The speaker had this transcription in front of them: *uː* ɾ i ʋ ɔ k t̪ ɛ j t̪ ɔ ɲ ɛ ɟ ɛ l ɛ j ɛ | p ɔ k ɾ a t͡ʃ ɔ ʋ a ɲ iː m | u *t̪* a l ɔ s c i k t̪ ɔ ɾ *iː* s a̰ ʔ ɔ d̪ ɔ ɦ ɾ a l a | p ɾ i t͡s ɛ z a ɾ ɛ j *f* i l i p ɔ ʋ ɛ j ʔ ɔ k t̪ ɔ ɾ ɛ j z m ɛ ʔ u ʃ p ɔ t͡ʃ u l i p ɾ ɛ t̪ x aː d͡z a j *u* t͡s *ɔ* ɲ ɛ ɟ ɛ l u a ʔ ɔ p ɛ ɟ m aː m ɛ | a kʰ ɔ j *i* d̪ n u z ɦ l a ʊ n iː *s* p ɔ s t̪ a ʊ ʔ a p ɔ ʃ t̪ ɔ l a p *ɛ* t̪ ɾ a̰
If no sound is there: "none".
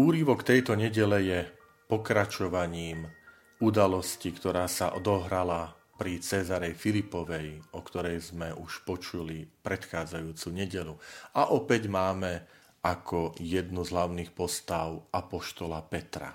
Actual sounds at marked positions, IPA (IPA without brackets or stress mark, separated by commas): uː, d̪, aː, f, uː, u, ɛ, x, ɛ